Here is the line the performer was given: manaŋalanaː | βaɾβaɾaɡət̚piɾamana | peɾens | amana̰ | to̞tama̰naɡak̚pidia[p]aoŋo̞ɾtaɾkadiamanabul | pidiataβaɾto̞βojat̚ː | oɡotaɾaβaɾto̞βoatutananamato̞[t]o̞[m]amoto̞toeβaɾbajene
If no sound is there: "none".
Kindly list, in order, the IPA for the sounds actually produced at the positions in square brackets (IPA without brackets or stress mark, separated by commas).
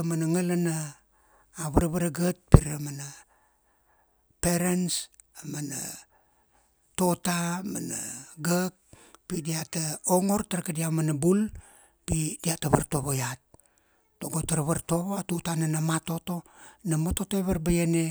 t, t, n